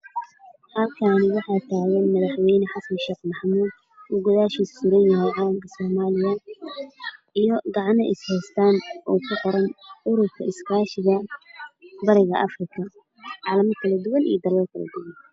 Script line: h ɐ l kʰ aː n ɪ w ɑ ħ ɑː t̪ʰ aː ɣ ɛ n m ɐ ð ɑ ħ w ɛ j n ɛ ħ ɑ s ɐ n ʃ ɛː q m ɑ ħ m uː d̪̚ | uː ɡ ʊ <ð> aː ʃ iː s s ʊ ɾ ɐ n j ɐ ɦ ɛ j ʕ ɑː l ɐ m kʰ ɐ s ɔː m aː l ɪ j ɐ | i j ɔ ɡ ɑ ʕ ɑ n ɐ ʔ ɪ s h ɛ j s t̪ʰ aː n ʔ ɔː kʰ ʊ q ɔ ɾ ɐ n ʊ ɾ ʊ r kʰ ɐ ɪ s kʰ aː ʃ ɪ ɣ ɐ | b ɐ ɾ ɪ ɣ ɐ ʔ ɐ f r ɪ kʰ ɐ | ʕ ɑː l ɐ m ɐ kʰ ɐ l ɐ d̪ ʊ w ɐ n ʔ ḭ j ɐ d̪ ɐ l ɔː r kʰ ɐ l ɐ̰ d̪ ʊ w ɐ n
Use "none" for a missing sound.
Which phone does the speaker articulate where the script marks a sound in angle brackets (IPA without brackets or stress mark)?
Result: ð